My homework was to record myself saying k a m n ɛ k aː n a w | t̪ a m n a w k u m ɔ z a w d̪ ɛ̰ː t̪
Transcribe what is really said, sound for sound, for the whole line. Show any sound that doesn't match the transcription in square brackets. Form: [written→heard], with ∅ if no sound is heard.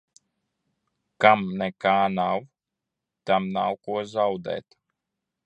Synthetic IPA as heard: k a m n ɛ k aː n a w | t̪ a m n a w k u [m→∅] ɔ z a w d̪ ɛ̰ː t̪